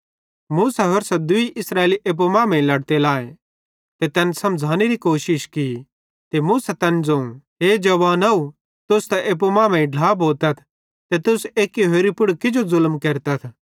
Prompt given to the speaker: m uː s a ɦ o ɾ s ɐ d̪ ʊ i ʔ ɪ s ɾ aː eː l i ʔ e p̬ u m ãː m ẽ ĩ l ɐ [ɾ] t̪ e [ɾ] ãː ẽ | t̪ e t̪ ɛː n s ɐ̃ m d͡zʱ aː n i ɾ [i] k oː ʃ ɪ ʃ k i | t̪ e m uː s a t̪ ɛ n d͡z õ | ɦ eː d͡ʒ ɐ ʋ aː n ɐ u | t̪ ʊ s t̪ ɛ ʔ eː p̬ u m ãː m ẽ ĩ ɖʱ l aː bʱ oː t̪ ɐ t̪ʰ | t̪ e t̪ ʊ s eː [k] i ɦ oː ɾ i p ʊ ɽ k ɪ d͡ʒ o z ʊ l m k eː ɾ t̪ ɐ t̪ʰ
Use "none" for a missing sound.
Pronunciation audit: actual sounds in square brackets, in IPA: ɽ, l, i, k

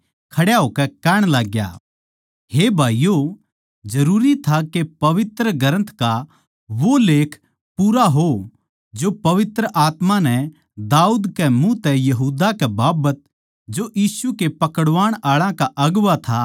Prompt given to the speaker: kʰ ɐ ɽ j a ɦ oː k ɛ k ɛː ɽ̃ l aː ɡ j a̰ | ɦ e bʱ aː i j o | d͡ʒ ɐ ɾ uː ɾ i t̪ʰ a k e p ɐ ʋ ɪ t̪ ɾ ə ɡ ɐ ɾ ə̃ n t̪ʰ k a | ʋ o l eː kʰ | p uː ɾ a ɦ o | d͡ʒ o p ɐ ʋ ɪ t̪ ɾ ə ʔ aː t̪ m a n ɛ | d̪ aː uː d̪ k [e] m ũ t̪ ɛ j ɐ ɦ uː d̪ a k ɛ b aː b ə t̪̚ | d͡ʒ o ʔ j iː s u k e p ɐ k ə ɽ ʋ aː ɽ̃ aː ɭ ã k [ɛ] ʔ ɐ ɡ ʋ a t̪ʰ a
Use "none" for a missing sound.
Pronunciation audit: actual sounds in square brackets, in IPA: ɛ, a

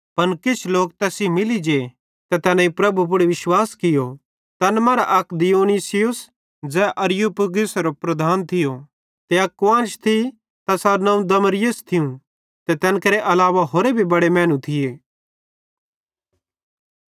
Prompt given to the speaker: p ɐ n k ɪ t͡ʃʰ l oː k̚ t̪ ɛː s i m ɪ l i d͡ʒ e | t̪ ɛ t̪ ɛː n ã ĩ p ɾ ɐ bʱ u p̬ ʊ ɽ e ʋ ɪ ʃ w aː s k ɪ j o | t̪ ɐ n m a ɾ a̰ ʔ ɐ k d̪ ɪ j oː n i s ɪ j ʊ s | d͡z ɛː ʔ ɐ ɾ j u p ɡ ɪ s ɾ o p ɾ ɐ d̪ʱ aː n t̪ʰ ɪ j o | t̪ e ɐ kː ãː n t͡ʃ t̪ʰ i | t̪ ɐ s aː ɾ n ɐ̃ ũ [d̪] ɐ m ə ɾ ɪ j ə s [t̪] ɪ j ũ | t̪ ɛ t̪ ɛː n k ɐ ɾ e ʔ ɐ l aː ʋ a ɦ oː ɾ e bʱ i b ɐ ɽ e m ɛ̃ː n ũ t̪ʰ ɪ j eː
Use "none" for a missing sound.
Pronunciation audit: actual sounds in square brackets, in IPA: d̪, t̪ʰ

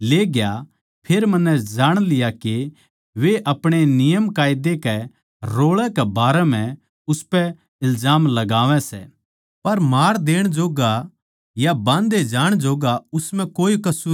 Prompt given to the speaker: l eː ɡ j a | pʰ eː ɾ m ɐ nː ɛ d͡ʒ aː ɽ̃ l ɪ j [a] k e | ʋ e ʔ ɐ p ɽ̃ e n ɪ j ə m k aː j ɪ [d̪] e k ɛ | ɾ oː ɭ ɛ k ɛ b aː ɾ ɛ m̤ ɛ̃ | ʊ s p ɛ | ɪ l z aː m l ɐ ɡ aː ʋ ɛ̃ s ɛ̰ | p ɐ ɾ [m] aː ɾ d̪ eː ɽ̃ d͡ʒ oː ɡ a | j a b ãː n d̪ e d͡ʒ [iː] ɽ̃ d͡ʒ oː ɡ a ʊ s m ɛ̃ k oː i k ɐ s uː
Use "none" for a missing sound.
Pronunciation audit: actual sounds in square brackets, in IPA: a, d̪, m, aː

